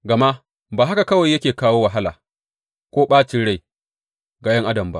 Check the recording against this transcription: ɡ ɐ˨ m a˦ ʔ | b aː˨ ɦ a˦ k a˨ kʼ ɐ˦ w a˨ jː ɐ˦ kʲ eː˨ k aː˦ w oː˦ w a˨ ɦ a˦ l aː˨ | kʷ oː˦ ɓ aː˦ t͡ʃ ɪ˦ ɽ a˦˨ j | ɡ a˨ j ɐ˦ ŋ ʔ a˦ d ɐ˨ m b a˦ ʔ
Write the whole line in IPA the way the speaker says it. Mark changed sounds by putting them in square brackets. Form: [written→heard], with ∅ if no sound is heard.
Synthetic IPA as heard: ɡ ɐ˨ m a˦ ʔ | b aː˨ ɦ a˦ k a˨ [kʼ→k] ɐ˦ w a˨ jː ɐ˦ kʲ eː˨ k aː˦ w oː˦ w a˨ ɦ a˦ l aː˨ | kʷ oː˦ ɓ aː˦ t͡ʃ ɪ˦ ɽ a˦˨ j | ɡ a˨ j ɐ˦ ŋ ʔ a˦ d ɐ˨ m b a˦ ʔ